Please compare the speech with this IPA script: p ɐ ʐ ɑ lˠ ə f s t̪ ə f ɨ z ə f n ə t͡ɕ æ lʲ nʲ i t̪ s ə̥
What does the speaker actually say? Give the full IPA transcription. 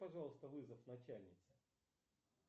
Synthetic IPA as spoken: p ɐ ʐ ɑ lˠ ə s t̪ ə v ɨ z ə f n ɐ t͡ɕ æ lʲ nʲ ɪ t̪ s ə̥